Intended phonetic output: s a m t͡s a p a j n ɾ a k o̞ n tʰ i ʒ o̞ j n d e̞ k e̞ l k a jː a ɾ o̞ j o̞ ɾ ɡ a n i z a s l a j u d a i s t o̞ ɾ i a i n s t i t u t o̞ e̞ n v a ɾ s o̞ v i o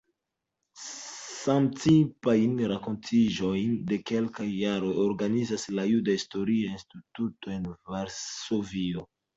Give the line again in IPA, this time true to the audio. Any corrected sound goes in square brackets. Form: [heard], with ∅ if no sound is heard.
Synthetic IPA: s a m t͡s [i] p a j n ɾ a k o̞ n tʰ i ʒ o̞ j n d e̞ k e̞ l k a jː a ɾ o̞ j o̞ ɾ ɡ a n i z a s l a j u d a i s t o̞ ɾ i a i n s t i t u t o̞ e̞ n v a ɾ s o̞ v i o